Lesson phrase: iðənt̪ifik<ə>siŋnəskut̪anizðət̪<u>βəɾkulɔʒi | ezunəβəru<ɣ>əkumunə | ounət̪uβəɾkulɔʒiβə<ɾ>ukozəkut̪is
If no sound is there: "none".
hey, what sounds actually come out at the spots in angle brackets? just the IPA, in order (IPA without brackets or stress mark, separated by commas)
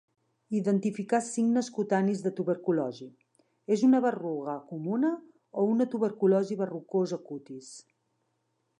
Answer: a, u, ɣ, r